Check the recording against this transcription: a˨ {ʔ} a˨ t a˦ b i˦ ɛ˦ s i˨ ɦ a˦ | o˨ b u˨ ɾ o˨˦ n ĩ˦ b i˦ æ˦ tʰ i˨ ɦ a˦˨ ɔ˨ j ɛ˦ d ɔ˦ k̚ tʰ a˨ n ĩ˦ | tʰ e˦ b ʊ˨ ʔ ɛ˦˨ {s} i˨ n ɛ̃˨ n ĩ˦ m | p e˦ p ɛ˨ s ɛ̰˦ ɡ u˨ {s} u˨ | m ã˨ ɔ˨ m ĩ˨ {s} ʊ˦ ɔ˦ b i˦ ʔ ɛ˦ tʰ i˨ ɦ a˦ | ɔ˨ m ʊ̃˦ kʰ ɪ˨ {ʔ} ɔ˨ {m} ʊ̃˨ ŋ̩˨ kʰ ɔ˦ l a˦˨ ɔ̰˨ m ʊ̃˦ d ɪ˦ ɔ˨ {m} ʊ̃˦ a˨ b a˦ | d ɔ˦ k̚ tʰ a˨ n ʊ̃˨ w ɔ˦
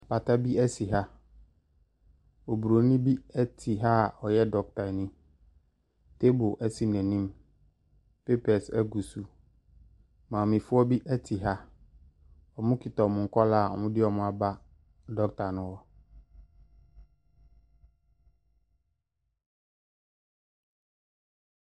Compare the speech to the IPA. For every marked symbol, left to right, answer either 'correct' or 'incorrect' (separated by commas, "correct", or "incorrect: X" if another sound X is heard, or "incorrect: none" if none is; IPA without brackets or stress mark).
incorrect: p, correct, correct, incorrect: f, incorrect: t, correct, correct